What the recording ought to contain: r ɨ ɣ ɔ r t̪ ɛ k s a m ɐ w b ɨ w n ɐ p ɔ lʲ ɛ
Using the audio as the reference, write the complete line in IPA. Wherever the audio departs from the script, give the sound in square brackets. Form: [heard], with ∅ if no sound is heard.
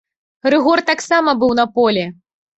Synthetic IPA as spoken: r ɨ ɣ ɔ r t̪ [a] k s a m ɐ [∅] b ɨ w n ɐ p ɔ lʲ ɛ